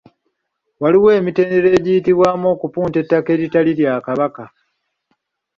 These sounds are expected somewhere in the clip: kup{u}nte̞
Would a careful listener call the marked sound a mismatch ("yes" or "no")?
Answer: yes